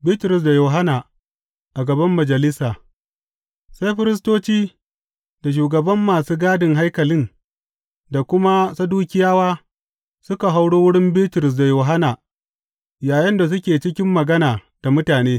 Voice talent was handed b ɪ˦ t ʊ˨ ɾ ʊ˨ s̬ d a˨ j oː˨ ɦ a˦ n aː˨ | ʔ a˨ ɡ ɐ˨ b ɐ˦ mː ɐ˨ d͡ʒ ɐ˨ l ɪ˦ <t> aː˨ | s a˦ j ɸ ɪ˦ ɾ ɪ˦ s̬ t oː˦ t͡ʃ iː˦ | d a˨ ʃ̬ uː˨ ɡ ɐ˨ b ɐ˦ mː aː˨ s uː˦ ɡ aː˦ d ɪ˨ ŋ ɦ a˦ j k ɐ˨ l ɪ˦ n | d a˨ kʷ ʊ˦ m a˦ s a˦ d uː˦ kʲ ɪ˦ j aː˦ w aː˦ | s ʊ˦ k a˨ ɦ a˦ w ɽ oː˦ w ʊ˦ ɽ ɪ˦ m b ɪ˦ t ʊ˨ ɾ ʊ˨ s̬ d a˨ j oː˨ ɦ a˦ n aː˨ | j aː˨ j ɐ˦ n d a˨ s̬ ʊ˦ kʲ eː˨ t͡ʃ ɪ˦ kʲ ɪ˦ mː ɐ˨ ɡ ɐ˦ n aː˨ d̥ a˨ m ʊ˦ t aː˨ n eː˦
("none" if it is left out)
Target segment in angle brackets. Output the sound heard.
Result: s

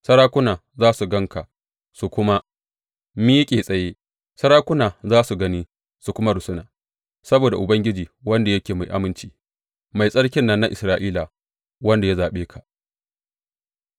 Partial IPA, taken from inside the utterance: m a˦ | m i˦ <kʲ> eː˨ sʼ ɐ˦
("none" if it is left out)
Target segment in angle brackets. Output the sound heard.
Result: kʲʼ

